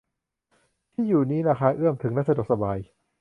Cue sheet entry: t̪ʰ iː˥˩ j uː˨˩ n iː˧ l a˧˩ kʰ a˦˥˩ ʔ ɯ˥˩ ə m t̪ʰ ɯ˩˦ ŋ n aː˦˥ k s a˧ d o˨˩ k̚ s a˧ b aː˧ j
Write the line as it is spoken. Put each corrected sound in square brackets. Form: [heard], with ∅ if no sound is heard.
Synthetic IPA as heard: t̪ʰ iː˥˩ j uː˨˩ n [iː˦˥] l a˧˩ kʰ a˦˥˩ ʔ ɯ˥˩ ə m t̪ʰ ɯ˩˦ ŋ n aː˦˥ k s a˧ d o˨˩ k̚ s a˧ b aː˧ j